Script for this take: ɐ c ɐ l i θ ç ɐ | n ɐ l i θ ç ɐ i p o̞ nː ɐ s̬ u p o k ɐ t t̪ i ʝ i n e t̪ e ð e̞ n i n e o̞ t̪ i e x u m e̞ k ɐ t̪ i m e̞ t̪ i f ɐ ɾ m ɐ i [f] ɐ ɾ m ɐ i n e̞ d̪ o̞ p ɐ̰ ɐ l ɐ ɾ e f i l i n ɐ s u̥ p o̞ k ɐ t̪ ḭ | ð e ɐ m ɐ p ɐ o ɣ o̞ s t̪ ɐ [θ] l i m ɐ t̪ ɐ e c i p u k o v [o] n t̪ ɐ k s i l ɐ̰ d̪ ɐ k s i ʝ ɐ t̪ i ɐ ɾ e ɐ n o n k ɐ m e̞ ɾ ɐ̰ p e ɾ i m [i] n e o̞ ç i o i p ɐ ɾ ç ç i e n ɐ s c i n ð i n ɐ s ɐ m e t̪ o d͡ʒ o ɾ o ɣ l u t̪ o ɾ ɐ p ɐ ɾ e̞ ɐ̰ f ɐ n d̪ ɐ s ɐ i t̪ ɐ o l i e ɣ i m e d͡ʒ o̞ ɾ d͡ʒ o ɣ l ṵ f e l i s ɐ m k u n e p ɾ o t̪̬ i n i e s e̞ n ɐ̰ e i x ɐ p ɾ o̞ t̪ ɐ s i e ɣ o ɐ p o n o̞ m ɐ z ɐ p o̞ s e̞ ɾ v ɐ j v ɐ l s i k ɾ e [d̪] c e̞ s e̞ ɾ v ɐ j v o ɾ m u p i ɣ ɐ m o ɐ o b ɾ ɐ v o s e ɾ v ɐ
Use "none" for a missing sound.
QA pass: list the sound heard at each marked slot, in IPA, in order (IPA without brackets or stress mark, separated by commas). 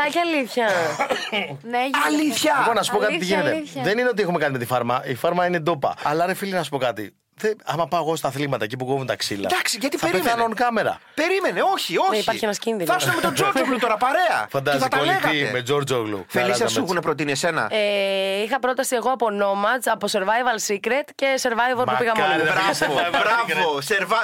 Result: f, θ, u, e, t̪